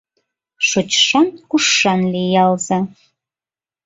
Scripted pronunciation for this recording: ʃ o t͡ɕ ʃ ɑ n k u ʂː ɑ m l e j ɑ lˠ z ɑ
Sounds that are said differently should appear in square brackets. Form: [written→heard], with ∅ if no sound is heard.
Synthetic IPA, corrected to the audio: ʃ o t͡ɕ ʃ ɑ n k u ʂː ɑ [m→n] l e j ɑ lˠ z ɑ